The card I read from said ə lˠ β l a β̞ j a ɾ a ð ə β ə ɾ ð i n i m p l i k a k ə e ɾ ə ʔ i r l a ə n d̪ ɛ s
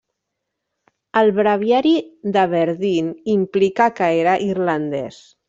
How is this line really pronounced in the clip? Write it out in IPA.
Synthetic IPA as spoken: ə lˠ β ɾ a β̞ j a ɾ i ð ə β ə ɾ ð i n i m p l i k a k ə e ɾ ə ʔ i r l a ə n d̪ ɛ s

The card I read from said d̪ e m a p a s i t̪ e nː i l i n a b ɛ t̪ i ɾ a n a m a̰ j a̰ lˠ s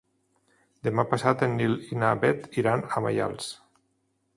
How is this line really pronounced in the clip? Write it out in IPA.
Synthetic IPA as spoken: d̪ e m a p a s a t̪ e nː i l i n a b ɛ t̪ i ɾ a n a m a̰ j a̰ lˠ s

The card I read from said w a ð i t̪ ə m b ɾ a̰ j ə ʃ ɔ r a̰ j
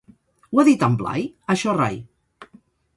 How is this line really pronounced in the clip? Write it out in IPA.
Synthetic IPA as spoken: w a ð i t̪ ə m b l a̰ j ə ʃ ɔ r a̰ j

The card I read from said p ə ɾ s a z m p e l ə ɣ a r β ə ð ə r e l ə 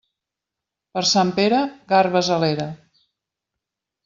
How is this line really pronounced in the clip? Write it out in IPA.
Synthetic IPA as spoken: p ə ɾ s a m p e ɾ ə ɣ a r β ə z ə l e ɾ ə

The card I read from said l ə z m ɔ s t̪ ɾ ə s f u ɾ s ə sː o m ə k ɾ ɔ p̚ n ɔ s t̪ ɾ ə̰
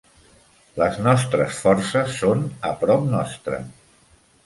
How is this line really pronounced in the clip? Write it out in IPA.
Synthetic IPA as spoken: l ə z n ɔ s t̪ ɾ ə s f ɔ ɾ s ə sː o n ə p ɾ ɔ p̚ n ɔ s t̪ ɾ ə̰

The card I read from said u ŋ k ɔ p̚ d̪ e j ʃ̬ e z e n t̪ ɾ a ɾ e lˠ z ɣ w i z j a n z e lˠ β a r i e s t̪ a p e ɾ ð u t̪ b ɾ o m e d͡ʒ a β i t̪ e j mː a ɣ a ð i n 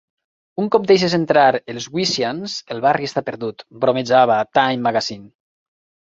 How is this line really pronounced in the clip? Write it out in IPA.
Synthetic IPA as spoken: u ŋ k ɔ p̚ d̪ e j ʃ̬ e z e n t̪ ɾ a ɾ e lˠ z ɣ w i s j a n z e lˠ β a r i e s t̪ a p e ɾ ð u t̪ b ɾ o m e d͡ʒ a β a t̪ a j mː a ɣ a z i n

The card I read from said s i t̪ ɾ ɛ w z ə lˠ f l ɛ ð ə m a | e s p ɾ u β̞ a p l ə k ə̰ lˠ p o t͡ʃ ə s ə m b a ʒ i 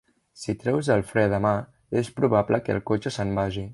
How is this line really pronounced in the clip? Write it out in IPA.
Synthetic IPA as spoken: s i t̪ ɾ ɛ w z ə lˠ f ɾ ɛ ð ə m a | e s p ɾ u β̞ a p l ə k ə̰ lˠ k o t͡ʃ ə s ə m b a ʒ i

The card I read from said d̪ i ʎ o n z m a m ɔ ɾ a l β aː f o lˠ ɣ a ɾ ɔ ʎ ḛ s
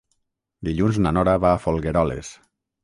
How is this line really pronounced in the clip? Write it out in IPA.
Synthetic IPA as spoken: d̪ i ʎ u n z n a n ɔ ɾ a β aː f o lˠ ɣ e ɾ ɔ l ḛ s

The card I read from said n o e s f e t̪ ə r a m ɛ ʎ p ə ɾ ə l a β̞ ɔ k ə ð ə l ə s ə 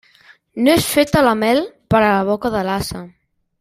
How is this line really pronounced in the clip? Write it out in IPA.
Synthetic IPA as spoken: n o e s f e t̪ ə l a m ɛ l p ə ɾ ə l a β̞ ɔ k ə ð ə l a s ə

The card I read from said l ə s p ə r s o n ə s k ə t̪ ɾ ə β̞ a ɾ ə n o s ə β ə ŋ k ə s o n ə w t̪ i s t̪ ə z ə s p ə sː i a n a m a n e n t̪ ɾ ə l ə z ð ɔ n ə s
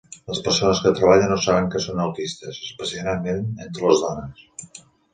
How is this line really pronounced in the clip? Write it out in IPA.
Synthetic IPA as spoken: l ə s p ə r s o n ə s k ə t̪ ɾ ə β̞ a ʎ ə n o s a β ə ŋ k ə s o n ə w t̪ i s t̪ ə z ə s p ə s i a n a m e n e n t̪ ɾ ə l ə z ð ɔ n ə s

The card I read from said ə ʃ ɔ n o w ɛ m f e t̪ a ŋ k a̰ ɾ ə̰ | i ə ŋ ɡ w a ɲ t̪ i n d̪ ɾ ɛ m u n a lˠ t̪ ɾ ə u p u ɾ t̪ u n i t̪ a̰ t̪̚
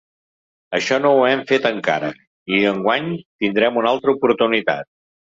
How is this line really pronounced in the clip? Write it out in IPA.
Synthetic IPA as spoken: ə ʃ ɔ n o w ɛ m f e t̪ ə ŋ k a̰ ɾ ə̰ | i ə ŋ ɡ w a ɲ t̪ i n d̪ ɾ ɛ m u n a lˠ t̪ ɾ ə u p u ɾ t̪ u n i t̪ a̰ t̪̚

